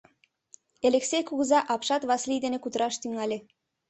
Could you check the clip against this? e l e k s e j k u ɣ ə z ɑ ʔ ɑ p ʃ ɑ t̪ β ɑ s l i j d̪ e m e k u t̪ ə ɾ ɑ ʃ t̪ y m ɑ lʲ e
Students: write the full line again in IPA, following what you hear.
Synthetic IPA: e l e k s e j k u ɣ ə z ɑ ʔ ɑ p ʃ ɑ t̪ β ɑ s l i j d̪ e n e k u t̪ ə ɾ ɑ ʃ t̪ y ŋ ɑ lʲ e